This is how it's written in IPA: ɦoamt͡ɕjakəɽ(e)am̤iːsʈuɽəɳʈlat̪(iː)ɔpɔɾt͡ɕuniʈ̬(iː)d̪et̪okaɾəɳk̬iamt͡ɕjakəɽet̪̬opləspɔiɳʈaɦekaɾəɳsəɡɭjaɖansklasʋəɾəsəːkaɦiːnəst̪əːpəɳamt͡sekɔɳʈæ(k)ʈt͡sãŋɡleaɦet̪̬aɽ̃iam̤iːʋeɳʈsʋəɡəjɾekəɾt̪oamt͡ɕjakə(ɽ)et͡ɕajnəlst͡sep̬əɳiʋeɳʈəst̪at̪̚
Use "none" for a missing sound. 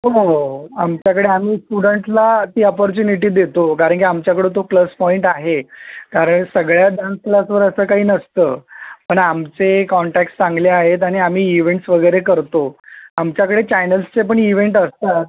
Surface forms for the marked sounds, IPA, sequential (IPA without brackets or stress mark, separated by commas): e, iː, iː, k, ɽ